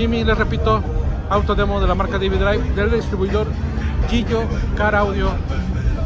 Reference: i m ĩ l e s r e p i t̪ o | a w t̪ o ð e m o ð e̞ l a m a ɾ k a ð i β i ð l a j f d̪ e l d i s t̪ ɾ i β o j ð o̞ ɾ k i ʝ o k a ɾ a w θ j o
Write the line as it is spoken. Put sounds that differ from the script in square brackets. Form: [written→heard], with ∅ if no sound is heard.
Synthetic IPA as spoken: i m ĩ l e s r e p i t̪ o | a w t̪ o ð e m o ð e̞ l a m a ɾ k a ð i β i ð [l→ɾ] a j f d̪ e l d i s t̪ ɾ i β [o→u] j ð o̞ ɾ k i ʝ o k a ɾ a w [θ→ð] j o

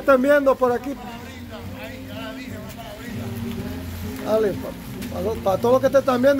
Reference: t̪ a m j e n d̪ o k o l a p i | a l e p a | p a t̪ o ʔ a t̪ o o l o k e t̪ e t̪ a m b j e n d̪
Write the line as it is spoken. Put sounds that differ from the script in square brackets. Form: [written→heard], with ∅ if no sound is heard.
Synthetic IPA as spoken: t̪ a m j e n d̪ o [k→p] o [l→ɾ] a [p→k] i | a l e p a | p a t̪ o [ʔ→p] a t̪ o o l o k e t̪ e t̪ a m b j e n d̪

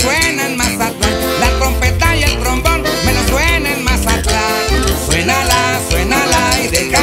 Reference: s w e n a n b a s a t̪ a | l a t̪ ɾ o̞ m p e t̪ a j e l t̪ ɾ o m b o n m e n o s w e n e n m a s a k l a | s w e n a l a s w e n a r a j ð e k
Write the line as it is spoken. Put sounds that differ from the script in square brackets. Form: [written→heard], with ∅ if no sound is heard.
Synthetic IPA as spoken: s w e n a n [b→m] a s a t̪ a | l a t̪ ɾ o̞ m p e t̪ a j e l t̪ ɾ o m b o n m e n o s w e n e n m a s a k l a | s w e n a l a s w e n a [r→l] a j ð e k

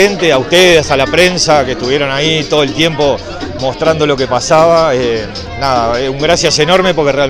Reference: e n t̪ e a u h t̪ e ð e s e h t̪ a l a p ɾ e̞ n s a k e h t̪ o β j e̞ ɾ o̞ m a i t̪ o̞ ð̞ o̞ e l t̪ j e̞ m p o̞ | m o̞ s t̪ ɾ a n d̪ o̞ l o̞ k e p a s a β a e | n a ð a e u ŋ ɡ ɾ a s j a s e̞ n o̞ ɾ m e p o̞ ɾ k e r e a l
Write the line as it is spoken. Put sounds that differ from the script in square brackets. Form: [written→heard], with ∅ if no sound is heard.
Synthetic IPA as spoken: e n t̪ e a u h t̪ e ð e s [e→a] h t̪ a l a p ɾ e̞ n s a k e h t̪ [o→u] β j e̞ ɾ o̞ [m→n] a i t̪ o̞ ð̞ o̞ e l t̪ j e̞ m p o̞ | m o̞ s t̪ ɾ a n d̪ o̞ l o̞ k e p a s a β a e | n a ð a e u ŋ ɡ ɾ a s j a s e̞ n o̞ ɾ m e p o̞ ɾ k e r e a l

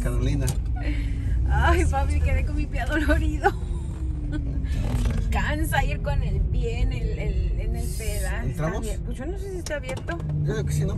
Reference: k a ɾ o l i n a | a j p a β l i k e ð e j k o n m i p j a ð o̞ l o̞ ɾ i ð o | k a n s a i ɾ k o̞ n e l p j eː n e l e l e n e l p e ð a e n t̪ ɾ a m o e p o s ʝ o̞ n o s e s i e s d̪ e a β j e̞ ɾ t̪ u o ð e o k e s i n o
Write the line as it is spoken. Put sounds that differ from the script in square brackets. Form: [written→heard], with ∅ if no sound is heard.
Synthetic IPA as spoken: k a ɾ o l i n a | a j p a β l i k e ð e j k o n m i p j a ð o̞ l o̞ ɾ i ð o | k a n s a i ɾ k o̞ n e l p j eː n e l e l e n e l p e ð a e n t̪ ɾ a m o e p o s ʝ o̞ n o s e s i e s [d̪→t̪] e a β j e̞ ɾ t̪ [u→o] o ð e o k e s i n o

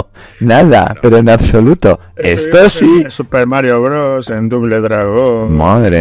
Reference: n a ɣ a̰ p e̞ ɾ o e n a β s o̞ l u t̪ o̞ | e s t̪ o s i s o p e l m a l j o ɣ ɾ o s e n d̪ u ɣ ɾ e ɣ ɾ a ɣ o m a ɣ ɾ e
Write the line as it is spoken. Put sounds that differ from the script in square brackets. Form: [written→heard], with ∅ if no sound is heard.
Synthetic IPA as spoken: n a [ɣ→ð] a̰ p e̞ ɾ o e n a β s o̞ l u t̪ o̞ | e s t̪ o s i s [o→u] p e [l→ɾ] m a [l→ɾ] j o ɣ ɾ o s e n d̪ u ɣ [ɾ→l] e [ɣ→ð] ɾ a ɣ o m a [ɣ→ð] ɾ e

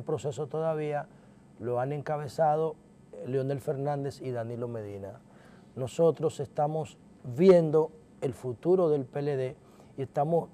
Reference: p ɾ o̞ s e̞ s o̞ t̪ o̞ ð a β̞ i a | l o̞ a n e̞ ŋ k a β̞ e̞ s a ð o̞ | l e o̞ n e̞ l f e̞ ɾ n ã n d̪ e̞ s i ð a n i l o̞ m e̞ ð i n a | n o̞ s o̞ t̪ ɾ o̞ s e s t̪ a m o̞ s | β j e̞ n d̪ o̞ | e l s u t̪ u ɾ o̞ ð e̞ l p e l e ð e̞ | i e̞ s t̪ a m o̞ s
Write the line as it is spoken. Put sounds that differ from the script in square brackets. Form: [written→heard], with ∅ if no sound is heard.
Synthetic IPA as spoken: p ɾ o̞ s e̞ s o̞ t̪ o̞ ð a β̞ i a | l o̞ a n e̞ ŋ k a β̞ e̞ s a ð o̞ | l e o̞ n e̞ l f e̞ ɾ n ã n d̪ e̞ s i ð a n i l o̞ m e̞ ð i n a | n o̞ s o̞ t̪ ɾ o̞ s e s t̪ a m o̞ s | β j e̞ n d̪ o̞ | e l [s→f] u t̪ u ɾ o̞ ð e̞ l p e l e ð e̞ | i e̞ s t̪ a m o̞ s

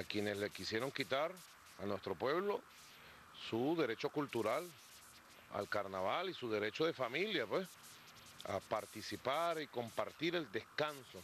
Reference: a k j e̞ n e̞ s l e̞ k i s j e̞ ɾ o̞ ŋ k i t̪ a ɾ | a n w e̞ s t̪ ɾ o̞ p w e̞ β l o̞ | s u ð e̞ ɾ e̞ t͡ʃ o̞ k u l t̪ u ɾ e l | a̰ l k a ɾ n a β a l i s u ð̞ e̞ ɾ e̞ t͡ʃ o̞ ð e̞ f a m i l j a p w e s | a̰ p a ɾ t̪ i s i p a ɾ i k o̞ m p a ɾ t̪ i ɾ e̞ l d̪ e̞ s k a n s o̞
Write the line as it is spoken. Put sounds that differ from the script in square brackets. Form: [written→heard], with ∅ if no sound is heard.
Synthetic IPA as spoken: a k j e̞ n e̞ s l e̞ k i s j e̞ ɾ o̞ ŋ k i t̪ a ɾ | a n w e̞ s t̪ ɾ o̞ p w e̞ β l o̞ | s u ð e̞ ɾ e̞ t͡ʃ o̞ k u l t̪ u ɾ [e→a] l | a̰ l k a ɾ n a β a l i s u ð̞ e̞ ɾ e̞ t͡ʃ o̞ ð e̞ f a m i l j a p w e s | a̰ p a ɾ t̪ i s i p a ɾ i k o̞ m p a ɾ t̪ i ɾ e̞ l d̪ e̞ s k a n s o̞

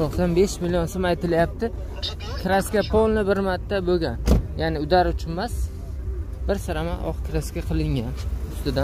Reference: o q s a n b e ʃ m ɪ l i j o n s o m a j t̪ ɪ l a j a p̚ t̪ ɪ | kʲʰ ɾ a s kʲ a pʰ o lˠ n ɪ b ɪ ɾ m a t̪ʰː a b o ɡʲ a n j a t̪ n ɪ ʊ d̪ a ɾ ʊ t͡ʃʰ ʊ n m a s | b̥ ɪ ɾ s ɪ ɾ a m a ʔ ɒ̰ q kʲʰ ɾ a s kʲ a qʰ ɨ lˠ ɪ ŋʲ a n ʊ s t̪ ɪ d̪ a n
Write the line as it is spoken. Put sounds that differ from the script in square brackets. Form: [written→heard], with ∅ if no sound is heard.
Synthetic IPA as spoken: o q s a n b e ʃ m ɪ l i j o n s o m a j t̪ ɪ l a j a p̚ t̪ ɪ | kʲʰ ɾ a s kʲ a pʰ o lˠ n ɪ b ɪ ɾ m a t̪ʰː a b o ɡʲ a n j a [t̪→∅] n ɪ ʊ d̪ a ɾ ʊ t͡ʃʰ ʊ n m a s | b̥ ɪ ɾ s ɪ ɾ a m a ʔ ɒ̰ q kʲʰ ɾ a s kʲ a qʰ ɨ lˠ ɪ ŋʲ a n ʊ s t̪ ɪ d̪ a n

